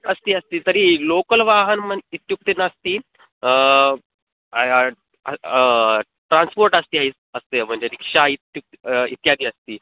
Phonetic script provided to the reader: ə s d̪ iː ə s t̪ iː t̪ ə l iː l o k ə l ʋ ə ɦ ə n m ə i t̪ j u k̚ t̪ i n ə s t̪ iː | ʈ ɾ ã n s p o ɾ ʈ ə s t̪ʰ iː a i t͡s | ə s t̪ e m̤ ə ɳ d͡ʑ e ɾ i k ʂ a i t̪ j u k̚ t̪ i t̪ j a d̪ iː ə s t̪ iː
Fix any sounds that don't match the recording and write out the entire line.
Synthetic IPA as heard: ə s t̪ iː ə s t̪ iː t̪ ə ɾ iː l o k ə l ʋ a ɦ ə n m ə i t̪ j u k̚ t̪ i n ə s t̪ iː | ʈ ɾ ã n s p o ɾ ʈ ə s t̪ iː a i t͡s | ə s t̪ e m̤ ə ɳ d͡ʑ e ɾ i k ʂ a i t̪ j u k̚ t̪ i t̪ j a d̪ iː ə s t̪ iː